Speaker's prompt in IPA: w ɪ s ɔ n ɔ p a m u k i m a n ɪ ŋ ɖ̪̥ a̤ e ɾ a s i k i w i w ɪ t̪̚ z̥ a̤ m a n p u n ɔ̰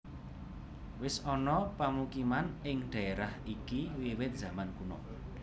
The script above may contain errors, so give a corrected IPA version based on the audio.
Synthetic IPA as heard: w ɪ s ɔ n ɔ p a m u k i m a n ɪ ŋ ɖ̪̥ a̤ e ɾ a h i k i w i w ɪ t̪̚ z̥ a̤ m a n k u n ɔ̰